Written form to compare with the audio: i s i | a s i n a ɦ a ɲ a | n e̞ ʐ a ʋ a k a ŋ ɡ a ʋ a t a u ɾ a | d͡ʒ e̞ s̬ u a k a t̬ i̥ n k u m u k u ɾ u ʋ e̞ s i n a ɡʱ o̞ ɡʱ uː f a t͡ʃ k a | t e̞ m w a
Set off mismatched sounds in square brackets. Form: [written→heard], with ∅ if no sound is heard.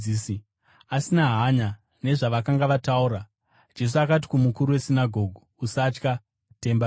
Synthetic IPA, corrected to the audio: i s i | a s i n a ɦ a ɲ a | n e̞ ʐ a ʋ a k a ŋ ɡ a ʋ a t a u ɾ a | d͡ʒ e̞ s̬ u a k a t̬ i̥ [n→∅] k u m u k u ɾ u [ʋ→w] e̞ s i n a ɡʱ o̞ ɡʱ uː [f→s] a t͡ʃ k a | t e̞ m [w→b] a